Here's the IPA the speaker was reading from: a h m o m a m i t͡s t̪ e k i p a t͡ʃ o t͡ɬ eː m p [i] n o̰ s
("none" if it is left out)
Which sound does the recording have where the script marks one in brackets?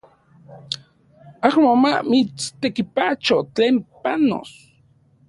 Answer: a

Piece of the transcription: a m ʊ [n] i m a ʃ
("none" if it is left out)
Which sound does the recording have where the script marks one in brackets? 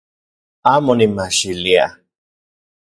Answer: n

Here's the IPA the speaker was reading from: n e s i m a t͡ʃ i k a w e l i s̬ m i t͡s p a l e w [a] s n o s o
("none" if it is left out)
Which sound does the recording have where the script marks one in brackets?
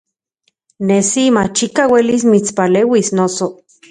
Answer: i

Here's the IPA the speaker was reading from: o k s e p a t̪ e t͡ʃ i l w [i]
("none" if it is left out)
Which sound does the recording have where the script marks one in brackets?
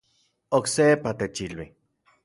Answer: i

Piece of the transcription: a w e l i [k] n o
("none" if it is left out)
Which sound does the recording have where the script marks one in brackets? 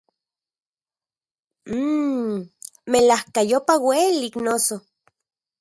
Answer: k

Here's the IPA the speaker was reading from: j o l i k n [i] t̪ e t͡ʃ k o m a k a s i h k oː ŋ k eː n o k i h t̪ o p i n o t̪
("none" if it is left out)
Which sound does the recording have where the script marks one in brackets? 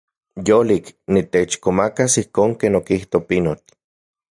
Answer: i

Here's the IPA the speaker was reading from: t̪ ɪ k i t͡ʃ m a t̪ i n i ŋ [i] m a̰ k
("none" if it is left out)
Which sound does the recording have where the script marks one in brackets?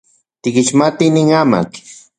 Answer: a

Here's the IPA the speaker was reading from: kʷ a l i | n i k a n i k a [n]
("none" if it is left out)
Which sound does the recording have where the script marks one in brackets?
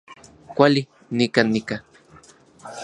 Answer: none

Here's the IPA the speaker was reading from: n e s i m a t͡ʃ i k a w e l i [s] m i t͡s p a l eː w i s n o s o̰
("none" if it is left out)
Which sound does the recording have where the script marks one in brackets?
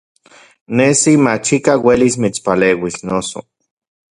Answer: s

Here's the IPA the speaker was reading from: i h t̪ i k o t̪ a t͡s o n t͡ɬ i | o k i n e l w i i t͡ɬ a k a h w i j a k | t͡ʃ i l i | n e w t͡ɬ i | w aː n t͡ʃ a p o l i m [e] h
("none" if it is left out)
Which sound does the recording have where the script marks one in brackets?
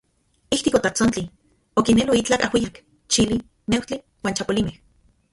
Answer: e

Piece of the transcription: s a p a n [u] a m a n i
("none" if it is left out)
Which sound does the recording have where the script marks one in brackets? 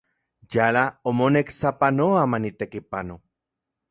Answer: o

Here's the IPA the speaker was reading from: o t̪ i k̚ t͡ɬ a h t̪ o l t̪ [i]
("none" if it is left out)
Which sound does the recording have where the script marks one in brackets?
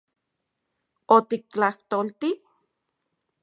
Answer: i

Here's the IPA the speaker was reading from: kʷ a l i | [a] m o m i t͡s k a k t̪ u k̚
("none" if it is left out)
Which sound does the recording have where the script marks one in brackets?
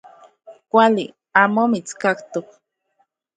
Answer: a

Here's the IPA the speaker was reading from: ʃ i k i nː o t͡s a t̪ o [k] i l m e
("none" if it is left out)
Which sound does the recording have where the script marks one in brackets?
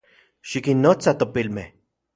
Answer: p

